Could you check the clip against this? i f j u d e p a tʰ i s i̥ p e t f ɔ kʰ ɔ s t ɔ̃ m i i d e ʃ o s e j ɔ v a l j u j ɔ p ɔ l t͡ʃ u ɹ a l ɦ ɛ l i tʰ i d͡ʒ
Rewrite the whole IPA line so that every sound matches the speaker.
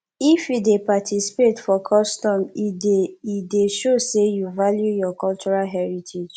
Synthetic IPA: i f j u d e p a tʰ i s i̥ p e t f ɔ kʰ ɔ s t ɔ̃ m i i d e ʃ o s e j u v a l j u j ɔ k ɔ l t͡ʃ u ɹ a l ɦ ɛ ɹ i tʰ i d͡ʒ